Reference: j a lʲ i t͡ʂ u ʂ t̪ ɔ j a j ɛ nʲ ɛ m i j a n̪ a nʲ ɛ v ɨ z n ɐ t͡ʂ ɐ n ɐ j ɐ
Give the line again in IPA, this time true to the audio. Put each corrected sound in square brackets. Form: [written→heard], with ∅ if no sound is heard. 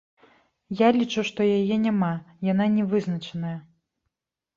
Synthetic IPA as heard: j a lʲ i t͡ʂ u ʂ t̪ ɔ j a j ɛ nʲ [ɛ→a] m [i→a] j a n̪ a nʲ ɛ v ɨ z n ɐ t͡ʂ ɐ n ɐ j ɐ